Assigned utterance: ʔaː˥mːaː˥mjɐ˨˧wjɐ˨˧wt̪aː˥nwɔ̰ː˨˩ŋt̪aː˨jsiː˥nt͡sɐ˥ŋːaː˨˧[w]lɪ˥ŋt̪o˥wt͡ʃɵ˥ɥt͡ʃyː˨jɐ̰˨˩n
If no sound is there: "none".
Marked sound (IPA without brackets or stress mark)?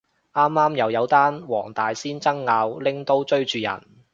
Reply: w